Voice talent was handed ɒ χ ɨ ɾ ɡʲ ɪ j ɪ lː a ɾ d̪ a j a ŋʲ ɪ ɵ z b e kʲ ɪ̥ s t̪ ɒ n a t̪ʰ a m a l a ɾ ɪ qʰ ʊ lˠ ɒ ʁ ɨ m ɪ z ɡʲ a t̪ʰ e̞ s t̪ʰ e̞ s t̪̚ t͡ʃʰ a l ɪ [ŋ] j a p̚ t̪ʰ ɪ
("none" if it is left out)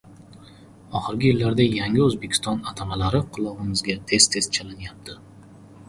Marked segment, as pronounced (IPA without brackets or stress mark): n